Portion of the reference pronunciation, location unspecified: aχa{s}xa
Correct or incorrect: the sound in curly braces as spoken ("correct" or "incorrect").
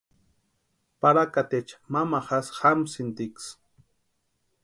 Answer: correct